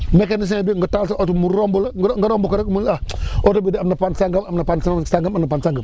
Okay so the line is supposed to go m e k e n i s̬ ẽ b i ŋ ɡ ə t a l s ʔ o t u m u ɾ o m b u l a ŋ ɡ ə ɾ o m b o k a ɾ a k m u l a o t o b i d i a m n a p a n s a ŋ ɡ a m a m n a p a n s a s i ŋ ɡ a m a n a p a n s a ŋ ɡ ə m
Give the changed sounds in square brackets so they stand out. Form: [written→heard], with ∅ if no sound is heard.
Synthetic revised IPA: m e k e n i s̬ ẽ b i ŋ ɡ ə t a l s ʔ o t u m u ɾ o m b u l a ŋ ɡ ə ɾ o m b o k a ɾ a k m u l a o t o b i d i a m n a p a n s a ŋ ɡ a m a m n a p a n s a s [i→a] ŋ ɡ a m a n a p a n s a ŋ ɡ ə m